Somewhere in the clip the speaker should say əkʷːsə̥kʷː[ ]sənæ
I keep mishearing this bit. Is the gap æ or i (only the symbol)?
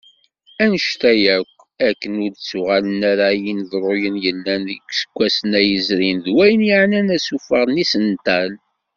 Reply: æ